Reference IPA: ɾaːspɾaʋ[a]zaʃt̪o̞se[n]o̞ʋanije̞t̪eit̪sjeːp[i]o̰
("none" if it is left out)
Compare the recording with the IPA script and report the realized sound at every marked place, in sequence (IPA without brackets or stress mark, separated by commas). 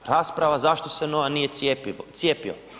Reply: a, n, i